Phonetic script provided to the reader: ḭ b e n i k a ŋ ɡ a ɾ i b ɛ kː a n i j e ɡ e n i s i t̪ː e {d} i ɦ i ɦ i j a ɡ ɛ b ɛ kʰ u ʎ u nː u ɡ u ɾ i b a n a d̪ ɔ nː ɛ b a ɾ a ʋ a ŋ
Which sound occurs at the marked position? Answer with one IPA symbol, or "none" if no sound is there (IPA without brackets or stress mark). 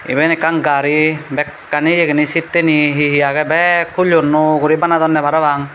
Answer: n